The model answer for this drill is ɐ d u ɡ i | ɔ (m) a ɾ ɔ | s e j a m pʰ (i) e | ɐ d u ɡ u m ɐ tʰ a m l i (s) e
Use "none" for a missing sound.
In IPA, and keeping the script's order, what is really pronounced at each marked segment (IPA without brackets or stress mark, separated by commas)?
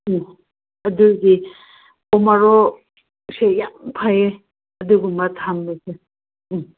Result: m, a, s